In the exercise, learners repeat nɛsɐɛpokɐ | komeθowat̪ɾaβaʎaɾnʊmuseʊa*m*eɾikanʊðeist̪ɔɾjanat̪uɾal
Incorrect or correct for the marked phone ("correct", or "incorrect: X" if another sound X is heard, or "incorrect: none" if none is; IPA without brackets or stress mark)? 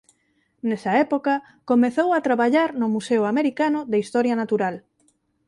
correct